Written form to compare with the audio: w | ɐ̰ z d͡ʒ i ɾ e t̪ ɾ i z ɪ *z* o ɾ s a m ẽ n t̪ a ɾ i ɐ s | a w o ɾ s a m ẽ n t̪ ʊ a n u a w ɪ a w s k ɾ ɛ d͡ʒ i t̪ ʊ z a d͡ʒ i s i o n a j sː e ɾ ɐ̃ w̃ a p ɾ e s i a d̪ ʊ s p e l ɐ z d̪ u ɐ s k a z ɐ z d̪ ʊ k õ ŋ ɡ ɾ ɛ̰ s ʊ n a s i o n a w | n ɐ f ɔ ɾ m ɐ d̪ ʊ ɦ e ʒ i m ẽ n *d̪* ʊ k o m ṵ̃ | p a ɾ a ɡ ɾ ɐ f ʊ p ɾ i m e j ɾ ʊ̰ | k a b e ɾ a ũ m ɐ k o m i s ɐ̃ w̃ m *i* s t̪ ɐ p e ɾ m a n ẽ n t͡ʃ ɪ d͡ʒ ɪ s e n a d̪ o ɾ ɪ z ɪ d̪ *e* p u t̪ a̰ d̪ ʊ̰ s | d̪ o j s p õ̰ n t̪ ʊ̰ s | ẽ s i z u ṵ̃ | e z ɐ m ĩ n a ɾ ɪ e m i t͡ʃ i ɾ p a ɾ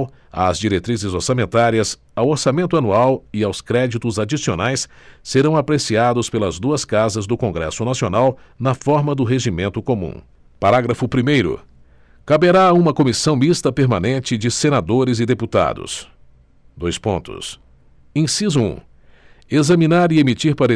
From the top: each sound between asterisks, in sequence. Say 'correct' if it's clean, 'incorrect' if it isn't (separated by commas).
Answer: correct, incorrect, correct, correct